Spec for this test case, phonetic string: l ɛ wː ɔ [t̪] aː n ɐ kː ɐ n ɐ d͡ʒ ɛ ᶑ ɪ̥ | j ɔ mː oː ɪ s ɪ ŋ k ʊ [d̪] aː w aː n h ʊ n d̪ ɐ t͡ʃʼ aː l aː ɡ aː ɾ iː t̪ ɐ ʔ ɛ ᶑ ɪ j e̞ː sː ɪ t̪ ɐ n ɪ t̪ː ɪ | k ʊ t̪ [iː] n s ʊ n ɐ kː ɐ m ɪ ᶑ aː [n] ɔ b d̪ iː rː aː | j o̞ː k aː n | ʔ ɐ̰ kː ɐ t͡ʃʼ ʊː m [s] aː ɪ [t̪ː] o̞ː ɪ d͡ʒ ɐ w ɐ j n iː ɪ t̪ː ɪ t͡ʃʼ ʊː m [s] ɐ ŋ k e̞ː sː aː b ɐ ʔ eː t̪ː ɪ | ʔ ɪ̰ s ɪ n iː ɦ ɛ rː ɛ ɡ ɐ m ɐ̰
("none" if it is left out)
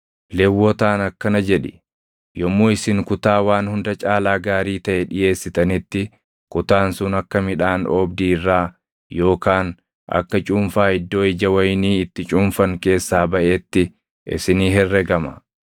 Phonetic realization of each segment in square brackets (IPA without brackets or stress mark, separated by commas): t̪, t̪, aː, n, f, d̪ː, f